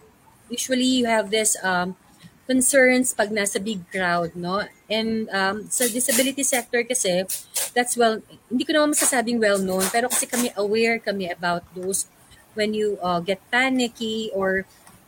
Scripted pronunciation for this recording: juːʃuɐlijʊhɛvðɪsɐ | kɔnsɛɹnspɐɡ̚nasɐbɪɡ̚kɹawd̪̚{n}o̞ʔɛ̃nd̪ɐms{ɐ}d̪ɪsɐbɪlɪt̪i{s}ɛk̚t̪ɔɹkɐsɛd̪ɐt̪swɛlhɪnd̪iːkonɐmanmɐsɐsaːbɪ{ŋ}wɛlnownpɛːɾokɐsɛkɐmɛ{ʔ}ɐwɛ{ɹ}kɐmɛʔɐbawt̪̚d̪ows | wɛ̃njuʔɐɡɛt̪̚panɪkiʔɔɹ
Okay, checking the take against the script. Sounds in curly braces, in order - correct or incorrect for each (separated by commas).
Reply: correct, correct, correct, correct, correct, correct